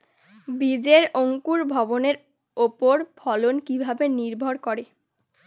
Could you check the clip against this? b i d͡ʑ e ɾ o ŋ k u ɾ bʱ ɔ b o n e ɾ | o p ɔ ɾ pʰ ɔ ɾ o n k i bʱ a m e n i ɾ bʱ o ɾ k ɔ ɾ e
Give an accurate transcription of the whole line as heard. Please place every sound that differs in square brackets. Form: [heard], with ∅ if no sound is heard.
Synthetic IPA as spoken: b i d͡ʑ e ɾ o ŋ k u ɾ bʱ ɔ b o n e ɾ | o p [o] ɾ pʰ ɔ [l] o n k i bʱ a [b] e n i ɾ bʱ o ɾ k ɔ ɾ e